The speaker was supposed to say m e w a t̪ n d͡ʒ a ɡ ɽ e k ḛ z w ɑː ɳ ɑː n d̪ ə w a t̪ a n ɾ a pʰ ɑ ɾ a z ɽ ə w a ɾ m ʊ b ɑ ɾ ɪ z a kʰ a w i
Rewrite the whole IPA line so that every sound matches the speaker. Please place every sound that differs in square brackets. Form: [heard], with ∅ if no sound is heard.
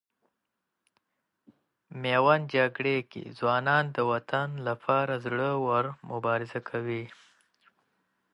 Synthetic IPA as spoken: m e w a [∅] n d͡ʒ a ɡ ɽ e k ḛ z w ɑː [n] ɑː n d̪ ə w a t̪ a n [l] a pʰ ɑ ɾ a z ɽ ə w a ɾ m ʊ b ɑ ɾ ɪ z a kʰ a w i